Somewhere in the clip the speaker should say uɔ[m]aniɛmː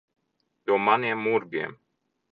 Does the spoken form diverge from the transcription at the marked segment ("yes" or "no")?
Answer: no